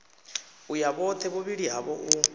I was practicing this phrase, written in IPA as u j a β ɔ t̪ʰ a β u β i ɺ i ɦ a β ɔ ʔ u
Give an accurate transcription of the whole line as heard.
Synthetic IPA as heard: u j a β ɔ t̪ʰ ɛ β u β i ɺ i ɦ a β ɔ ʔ u